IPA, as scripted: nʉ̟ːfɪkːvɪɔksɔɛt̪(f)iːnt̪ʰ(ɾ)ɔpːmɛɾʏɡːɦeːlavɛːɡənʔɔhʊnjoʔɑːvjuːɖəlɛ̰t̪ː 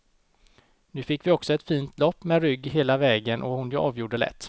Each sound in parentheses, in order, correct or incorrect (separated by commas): correct, incorrect